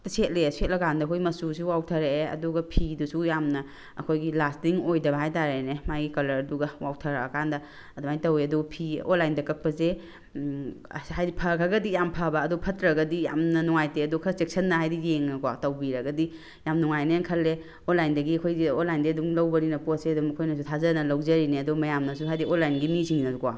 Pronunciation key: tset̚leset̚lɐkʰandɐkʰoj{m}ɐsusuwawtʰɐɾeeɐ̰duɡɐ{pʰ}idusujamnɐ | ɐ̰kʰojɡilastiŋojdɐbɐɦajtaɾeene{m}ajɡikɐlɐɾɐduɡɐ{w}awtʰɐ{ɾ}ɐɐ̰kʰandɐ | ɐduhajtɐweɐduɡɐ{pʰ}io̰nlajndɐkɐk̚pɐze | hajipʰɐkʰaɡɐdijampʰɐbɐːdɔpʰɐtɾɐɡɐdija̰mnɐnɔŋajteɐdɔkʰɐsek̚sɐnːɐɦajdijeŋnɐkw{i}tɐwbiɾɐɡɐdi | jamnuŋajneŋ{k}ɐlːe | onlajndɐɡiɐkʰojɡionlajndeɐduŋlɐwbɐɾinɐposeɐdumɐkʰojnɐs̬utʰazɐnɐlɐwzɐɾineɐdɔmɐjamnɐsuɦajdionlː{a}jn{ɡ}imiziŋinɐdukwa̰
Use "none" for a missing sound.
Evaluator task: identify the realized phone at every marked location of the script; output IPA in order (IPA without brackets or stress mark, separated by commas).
m, pʰ, m, w, ɾ, pʰ, a, kʰ, a, ɡ